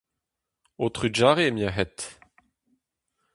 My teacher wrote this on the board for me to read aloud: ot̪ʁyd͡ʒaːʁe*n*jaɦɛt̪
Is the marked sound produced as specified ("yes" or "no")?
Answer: no